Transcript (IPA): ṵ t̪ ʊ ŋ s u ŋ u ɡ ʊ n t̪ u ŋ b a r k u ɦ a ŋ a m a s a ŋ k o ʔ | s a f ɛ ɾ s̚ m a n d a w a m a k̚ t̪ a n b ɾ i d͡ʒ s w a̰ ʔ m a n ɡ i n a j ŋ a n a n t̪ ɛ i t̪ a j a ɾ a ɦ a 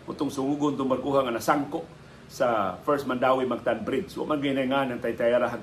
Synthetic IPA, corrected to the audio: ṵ t̪ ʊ ŋ s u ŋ u ɡ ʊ n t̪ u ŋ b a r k u ɦ a ŋ a n a s a ŋ k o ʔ | s a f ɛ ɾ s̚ m a n d a w i m a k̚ t̪ a n b ɾ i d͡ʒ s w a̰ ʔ m a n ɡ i n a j ŋ a n a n t̪ a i t̪ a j a ɾ a ɦ a